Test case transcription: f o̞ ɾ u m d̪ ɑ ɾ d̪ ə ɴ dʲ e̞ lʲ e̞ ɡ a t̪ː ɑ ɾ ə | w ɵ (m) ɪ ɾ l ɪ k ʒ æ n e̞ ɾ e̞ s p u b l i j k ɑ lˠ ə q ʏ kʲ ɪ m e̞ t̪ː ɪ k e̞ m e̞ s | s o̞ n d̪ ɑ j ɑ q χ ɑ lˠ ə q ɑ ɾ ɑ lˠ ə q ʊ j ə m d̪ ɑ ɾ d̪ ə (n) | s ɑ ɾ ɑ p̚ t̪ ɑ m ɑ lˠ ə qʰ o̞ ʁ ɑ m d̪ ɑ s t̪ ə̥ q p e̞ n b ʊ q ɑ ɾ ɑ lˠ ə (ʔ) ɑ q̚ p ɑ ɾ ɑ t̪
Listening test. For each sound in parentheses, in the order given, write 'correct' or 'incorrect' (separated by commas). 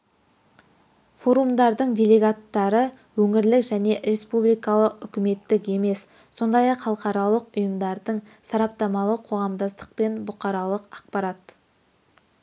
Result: incorrect, incorrect, incorrect